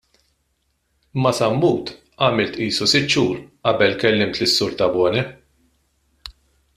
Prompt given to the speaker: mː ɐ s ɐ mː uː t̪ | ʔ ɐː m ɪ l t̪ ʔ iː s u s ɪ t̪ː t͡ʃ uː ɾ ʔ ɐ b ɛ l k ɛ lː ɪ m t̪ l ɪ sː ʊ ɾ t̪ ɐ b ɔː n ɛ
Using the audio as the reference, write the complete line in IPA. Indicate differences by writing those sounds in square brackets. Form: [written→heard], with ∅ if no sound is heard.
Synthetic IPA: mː ɐ s ɐ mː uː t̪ | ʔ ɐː m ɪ l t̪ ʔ iː s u s ɪ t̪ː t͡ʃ uː ɾ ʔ ɐ b ɛ l k ɛ lː ɪ m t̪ l ɪ sː ʊ ɾ t̪ ɐ b ɔː n ɛ

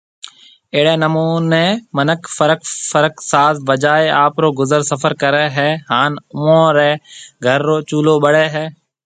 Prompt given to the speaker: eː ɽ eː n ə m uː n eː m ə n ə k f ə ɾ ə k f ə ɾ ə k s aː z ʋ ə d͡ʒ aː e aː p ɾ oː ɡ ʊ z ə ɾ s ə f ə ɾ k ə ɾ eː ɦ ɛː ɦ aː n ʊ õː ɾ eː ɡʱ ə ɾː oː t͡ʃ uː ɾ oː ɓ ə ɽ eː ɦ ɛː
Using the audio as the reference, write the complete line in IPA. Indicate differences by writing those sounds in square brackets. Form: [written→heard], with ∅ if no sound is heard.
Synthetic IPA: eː ɽ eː n ə m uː n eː m ə n ə k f ə ɾ ə k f ə ɾ ə k s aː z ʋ ə d͡ʒ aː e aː p ɾ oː ɡ ʊ z ə ɾ s ə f ə ɾ k ə ɾ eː ɦ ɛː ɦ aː n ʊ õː ɾ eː ɡʱ ə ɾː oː t͡ʃ uː [ɾ→l] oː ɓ ə ɽ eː ɦ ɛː

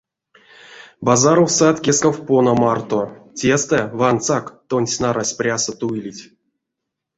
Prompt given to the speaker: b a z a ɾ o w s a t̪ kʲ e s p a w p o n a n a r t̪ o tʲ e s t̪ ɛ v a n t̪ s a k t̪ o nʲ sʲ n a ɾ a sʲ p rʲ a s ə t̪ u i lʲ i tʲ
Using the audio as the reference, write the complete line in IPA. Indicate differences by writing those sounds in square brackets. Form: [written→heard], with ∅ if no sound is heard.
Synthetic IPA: b a z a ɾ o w s a t̪ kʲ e s [p→k] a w p o n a [n→m] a r t̪ o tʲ e s t̪ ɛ v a n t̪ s a k t̪ o nʲ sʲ n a ɾ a sʲ p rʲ a s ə t̪ u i lʲ i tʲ

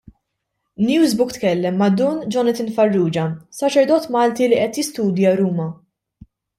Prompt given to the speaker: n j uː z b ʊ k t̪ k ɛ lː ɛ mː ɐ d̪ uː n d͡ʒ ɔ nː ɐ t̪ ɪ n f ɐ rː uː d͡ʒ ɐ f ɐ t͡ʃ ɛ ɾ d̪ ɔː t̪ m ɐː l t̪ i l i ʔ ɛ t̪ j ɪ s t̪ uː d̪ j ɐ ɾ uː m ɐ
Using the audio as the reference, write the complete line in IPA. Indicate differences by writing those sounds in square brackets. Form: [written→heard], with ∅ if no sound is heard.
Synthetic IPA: n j uː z b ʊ k t̪ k ɛ lː ɛ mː ɐ d̪ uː n d͡ʒ ɔ [nː→n] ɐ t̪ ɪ n f ɐ rː uː d͡ʒ ɐ [f→s] ɐ t͡ʃ ɛ ɾ d̪ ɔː t̪ m ɐː l t̪ i l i ʔ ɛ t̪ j ɪ s t̪ uː d̪ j ɐ ɾ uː m ɐ

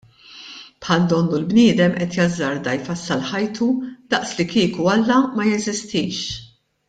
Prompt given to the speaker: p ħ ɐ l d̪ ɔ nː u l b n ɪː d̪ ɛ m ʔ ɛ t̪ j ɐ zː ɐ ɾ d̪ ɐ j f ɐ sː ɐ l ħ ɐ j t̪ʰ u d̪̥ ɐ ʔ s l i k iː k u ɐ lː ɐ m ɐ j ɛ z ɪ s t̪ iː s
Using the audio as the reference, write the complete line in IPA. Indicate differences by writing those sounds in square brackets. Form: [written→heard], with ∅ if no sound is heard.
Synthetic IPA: p ħ ɐ l d̪ ɔ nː u l b n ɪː d̪ ɛ m ʔ ɛ t̪ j ɐ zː ɐ ɾ d̪ ɐ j f ɐ sː ɐ l ħ ɐ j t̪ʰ u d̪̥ ɐ ʔ s l i k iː k u ɐ lː ɐ m ɐ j ɛ z ɪ s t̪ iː [s→ʃ]

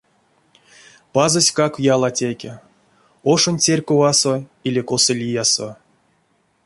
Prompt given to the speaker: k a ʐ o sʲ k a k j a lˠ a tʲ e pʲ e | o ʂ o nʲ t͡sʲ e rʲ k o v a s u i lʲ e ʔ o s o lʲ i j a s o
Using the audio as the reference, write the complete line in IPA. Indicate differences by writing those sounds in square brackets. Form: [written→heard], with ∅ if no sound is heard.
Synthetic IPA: [k→p] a [ʐ→z] o sʲ k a k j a lˠ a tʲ e [pʲ→kʲ] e | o ʂ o nʲ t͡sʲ e rʲ k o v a s [u→o] i lʲ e [ʔ→k] o s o lʲ i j a s o

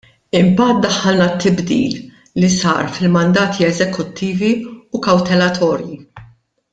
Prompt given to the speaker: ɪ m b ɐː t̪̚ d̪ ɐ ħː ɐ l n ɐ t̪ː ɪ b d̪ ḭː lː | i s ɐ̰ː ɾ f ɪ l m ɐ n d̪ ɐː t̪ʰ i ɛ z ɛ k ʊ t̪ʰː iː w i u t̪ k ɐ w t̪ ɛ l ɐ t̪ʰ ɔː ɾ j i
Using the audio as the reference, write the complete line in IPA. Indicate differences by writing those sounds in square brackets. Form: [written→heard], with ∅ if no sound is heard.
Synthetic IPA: ɪ m b ɐː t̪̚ d̪ ɐ ħː ɐ l n ɐ t̪ː ɪ b d̪ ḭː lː | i s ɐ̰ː ɾ f ɪ l m ɐ n d̪ ɐː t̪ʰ i ɛ z ɛ k ʊ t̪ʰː iː [w→v] i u [t̪→∅] k ɐ w t̪ ɛ l ɐ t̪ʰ ɔː ɾ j i

